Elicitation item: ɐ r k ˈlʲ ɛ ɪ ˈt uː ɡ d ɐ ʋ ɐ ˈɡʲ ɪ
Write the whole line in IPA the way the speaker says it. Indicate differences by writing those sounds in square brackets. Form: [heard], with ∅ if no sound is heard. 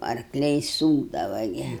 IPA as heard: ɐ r k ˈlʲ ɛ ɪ [ˈs] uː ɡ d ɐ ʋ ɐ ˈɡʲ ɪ